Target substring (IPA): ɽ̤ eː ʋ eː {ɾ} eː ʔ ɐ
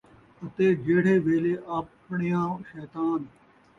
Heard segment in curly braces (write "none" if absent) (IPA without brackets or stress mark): l